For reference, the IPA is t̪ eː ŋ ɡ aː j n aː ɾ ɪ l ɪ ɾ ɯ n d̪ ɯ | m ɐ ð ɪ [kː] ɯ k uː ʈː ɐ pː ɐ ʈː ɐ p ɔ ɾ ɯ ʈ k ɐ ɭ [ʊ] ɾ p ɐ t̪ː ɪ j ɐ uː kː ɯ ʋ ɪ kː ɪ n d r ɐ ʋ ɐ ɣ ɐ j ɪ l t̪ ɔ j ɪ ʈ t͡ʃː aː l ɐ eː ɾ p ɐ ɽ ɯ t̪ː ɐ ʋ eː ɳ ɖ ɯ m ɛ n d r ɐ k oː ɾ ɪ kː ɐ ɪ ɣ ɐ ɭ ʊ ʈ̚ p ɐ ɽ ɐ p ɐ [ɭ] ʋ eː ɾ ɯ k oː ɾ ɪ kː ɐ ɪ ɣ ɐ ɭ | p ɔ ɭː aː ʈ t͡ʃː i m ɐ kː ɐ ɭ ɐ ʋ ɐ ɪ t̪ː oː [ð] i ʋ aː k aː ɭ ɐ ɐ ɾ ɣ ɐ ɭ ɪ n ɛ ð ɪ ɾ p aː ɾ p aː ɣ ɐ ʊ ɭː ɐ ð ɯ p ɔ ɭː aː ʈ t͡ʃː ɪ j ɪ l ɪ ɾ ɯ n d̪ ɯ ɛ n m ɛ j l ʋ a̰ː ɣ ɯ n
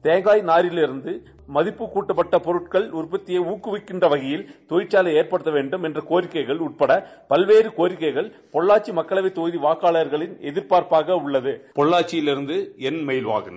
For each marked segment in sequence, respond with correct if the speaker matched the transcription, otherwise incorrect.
incorrect, correct, incorrect, correct

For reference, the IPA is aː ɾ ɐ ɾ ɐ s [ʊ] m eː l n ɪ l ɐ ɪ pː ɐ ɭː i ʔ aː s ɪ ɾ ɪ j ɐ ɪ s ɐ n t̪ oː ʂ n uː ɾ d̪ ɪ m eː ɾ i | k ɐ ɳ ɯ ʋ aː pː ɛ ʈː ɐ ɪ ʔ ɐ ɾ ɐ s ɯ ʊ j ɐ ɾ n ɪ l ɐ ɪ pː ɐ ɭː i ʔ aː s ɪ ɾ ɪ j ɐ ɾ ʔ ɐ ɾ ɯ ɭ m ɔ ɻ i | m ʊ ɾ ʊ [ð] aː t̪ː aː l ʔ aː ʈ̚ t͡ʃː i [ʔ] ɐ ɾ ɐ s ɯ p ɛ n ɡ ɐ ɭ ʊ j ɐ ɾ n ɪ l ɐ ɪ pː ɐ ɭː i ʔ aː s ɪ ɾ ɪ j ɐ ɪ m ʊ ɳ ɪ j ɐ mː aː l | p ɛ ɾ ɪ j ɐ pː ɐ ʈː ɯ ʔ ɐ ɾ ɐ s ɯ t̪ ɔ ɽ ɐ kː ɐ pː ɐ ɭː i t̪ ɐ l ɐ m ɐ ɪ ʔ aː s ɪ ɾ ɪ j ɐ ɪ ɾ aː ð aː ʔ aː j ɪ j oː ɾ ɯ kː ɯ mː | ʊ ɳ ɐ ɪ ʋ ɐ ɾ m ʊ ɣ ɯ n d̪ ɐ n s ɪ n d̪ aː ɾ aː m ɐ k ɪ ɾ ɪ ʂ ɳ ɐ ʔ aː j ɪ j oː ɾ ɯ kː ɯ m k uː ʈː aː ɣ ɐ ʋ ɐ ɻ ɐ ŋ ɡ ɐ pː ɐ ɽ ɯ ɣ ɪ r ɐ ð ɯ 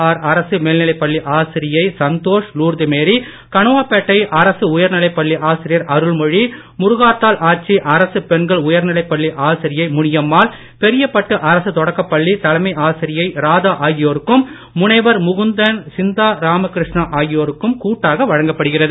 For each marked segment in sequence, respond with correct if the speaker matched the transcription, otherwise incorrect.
incorrect, incorrect, correct

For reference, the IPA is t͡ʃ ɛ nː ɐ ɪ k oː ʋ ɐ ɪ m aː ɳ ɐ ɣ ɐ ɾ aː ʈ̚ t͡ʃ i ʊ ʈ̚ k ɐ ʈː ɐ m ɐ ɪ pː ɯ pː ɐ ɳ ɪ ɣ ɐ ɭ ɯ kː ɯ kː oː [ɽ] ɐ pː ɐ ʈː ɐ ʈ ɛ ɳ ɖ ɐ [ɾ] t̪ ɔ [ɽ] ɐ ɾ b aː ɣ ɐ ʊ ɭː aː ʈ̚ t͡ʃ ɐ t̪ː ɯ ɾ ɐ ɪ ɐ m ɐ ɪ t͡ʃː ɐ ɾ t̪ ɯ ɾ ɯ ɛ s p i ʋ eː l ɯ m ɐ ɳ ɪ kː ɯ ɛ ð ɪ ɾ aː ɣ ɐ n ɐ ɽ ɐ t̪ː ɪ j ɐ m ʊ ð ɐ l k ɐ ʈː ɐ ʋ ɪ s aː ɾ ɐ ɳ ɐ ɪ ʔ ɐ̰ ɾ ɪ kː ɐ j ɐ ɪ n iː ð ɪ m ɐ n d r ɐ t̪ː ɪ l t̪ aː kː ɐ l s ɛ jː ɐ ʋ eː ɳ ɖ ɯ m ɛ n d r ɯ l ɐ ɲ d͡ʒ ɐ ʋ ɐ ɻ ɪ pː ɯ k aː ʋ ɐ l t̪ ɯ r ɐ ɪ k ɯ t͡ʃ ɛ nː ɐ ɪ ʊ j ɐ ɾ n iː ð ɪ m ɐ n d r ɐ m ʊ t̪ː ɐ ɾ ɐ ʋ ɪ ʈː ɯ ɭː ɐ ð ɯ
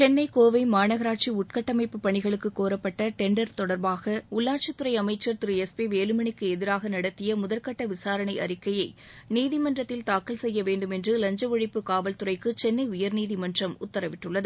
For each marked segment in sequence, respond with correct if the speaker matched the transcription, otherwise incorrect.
incorrect, correct, correct

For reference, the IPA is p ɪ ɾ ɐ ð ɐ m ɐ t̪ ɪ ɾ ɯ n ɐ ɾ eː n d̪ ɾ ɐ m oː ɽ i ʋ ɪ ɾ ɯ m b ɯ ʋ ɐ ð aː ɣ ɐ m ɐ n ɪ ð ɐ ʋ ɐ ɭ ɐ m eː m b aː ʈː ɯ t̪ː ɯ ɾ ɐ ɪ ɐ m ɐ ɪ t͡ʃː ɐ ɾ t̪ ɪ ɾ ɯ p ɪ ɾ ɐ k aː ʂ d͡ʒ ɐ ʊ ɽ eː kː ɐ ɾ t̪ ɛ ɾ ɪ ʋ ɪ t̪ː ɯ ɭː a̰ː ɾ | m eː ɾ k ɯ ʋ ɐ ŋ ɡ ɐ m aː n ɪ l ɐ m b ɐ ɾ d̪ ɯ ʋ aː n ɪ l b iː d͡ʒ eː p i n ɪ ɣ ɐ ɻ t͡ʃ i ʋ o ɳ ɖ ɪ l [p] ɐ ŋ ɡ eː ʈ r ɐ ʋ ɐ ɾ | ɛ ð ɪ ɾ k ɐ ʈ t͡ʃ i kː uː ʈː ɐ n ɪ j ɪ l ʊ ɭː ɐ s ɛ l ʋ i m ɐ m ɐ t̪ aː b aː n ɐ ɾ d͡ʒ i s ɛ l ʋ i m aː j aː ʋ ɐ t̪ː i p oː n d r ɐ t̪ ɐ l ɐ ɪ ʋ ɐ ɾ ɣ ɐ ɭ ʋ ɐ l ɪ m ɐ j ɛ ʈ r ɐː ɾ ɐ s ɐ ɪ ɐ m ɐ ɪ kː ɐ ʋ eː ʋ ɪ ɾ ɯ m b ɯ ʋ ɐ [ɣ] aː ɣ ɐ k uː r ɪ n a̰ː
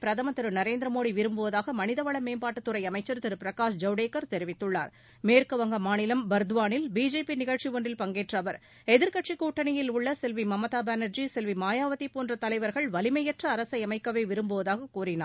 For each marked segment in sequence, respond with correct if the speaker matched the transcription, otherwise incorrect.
correct, incorrect

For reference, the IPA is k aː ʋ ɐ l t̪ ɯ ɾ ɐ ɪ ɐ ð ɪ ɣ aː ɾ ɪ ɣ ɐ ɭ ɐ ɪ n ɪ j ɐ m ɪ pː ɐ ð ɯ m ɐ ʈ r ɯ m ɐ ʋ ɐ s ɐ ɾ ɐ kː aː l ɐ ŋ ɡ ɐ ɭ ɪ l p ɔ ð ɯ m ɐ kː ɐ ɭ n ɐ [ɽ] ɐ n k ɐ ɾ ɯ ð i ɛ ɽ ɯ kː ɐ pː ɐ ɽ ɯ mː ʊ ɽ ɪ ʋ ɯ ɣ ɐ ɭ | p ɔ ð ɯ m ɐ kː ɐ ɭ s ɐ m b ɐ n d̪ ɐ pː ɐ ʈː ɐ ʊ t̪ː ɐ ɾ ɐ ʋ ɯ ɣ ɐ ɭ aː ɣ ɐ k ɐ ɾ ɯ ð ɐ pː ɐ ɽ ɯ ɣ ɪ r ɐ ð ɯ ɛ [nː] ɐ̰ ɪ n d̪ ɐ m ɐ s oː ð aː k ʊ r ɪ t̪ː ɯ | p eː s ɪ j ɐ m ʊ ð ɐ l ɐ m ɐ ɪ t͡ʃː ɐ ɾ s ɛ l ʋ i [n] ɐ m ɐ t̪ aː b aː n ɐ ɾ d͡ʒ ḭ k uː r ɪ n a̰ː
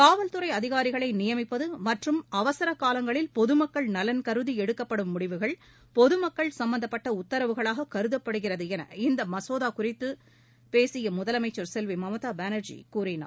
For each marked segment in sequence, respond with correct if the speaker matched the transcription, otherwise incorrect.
incorrect, incorrect, incorrect

